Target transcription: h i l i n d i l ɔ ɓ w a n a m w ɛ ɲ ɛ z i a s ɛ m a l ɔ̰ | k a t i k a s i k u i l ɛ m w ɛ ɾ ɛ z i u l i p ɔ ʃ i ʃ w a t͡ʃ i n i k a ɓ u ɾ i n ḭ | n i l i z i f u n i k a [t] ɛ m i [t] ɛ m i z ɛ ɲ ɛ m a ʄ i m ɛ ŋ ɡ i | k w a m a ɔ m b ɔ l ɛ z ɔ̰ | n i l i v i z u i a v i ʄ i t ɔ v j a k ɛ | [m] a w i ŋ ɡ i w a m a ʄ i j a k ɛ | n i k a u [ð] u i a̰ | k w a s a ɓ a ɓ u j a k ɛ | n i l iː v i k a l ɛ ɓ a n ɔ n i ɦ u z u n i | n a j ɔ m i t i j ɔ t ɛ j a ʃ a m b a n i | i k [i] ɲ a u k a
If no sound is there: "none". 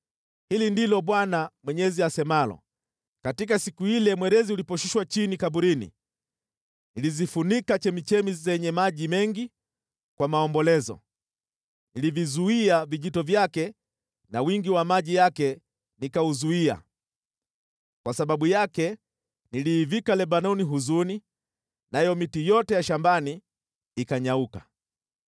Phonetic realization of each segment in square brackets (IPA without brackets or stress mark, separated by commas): t͡ʃ, t͡ʃ, n, z, a